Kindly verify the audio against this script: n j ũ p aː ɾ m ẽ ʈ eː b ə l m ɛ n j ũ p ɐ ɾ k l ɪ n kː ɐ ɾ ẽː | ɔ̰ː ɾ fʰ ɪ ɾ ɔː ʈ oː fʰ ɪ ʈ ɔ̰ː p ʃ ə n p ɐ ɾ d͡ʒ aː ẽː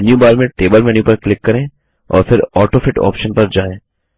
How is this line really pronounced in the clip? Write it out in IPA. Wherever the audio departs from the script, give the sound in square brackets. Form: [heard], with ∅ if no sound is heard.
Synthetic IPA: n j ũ [b] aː ɾ m ẽ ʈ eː b ə l m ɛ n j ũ p ɐ ɾ k l ɪ [∅] kː ɐ ɾ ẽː | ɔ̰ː ɾ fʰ ɪ ɾ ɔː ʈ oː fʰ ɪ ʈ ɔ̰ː p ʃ ə n p ɐ ɾ d͡ʒ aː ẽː